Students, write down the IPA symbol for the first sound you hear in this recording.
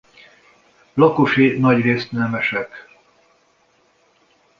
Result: l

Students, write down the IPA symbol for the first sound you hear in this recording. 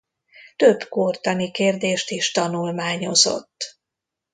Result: t̪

